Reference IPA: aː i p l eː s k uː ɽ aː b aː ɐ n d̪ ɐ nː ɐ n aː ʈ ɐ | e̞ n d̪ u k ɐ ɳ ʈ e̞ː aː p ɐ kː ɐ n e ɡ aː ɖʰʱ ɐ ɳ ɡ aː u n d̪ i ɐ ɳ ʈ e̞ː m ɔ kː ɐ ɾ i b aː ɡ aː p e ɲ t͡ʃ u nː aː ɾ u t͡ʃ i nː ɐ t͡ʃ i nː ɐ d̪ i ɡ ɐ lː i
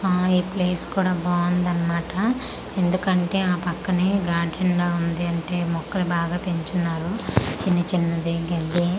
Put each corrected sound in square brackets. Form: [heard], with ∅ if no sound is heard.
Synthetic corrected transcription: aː i p l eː s k uː ɽ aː b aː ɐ n d̪ ɐ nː ɐ [m] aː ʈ ɐ | e̞ n d̪ u k ɐ ɳ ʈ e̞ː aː p ɐ kː ɐ n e ɡ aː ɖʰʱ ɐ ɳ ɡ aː u n d̪ i ɐ ɳ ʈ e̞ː m ɔ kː ɐ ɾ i b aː ɡ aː p e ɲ t͡ʃ u nː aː ɾ u t͡ʃ i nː ɐ t͡ʃ i nː ɐ d̪ i ɡ ɐ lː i